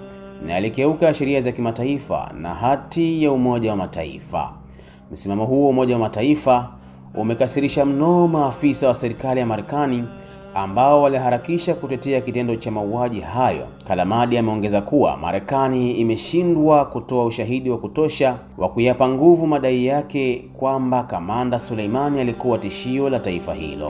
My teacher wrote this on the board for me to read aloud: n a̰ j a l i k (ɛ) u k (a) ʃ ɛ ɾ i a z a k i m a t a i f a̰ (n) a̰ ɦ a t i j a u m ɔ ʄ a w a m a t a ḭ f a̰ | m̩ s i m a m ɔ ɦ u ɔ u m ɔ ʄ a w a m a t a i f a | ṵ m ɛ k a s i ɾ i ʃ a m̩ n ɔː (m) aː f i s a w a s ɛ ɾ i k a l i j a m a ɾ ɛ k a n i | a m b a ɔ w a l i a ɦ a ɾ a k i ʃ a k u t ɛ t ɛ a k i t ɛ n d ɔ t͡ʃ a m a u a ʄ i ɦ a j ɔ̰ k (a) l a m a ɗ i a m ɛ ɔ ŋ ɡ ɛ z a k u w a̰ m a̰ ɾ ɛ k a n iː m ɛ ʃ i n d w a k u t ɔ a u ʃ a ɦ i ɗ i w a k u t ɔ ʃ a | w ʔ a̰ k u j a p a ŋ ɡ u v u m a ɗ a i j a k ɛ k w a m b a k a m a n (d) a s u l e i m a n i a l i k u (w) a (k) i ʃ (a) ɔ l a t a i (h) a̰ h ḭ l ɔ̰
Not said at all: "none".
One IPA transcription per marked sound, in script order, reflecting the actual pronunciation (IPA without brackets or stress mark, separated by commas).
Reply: ɛ, a, n, m, a, d, w, t, i, f